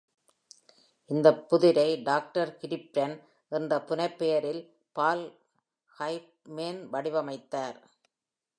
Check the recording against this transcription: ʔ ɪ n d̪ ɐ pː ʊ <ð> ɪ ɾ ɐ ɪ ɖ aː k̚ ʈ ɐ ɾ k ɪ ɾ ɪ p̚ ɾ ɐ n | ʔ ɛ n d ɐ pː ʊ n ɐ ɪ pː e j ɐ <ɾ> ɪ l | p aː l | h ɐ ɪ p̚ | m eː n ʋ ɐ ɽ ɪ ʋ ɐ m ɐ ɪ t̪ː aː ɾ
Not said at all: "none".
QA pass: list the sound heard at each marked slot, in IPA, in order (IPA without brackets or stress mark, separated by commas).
ð, ɾ